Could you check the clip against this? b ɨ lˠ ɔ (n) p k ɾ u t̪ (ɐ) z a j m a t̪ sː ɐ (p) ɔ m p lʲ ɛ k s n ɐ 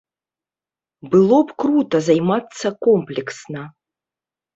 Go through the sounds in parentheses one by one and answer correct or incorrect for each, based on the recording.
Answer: incorrect: none, correct, incorrect: k

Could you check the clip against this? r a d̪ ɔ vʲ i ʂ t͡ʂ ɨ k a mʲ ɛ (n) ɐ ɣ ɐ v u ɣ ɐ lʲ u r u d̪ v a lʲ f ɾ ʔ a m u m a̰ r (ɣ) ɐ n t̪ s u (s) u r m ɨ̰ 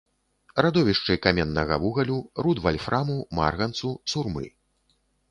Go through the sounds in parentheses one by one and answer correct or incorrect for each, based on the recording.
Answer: incorrect: nː, correct, correct

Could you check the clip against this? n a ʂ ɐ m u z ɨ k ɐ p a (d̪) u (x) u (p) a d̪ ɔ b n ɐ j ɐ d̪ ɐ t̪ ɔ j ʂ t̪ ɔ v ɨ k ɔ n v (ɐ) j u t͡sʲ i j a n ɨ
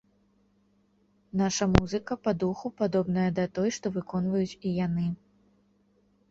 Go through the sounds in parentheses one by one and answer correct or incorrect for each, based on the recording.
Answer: correct, correct, correct, correct

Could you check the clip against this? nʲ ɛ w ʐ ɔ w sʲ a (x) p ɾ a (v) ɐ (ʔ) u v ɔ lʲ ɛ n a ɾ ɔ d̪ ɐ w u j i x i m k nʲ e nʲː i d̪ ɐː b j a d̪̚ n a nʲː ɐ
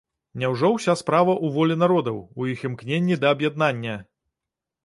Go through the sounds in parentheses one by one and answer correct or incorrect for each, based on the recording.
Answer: incorrect: s, correct, correct

